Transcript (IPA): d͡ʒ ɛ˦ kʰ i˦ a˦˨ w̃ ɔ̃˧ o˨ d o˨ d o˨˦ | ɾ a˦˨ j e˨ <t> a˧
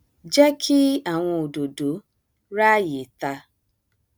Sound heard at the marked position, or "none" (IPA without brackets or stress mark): t